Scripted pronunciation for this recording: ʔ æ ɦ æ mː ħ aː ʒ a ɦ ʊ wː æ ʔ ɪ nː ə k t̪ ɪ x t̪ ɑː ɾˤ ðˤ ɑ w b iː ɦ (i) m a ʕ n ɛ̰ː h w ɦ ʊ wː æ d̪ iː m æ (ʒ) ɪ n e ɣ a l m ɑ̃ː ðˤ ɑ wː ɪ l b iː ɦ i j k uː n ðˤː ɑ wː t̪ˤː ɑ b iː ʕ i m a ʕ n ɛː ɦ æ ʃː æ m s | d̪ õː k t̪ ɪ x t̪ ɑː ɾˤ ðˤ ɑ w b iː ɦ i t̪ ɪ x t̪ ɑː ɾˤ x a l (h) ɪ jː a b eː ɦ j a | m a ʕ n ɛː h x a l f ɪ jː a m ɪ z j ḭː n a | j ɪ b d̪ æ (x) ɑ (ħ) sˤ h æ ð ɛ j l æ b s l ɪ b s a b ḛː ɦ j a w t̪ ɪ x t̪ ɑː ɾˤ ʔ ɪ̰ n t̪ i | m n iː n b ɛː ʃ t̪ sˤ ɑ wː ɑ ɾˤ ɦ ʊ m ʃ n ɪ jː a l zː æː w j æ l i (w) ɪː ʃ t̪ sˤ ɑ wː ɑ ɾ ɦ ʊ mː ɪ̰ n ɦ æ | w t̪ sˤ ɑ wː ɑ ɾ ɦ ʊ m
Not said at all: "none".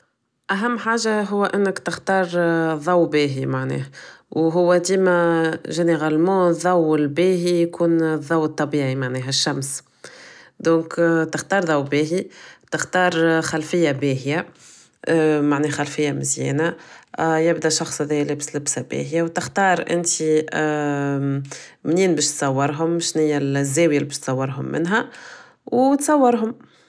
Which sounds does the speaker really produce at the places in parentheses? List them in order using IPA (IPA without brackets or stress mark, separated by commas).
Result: i, ʒ, f, ʃ, x, b